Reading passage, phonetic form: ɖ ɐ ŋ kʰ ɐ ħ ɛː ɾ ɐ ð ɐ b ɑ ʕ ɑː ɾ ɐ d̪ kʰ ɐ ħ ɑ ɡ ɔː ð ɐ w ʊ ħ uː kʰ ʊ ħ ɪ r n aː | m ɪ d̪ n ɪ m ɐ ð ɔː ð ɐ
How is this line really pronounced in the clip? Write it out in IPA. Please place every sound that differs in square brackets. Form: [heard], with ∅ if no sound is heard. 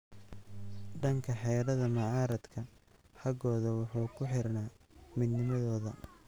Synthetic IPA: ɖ ɐ ŋ kʰ ɐ ħ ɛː ɾ ɐ ð ɐ [m] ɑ ʕ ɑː ɾ ɐ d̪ kʰ ɐ ħ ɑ ɡ ɔː ð ɐ w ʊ ħ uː kʰ ʊ ħ ɪ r n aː | m ɪ d̪ n ɪ m ɐ ð ɔː ð ɐ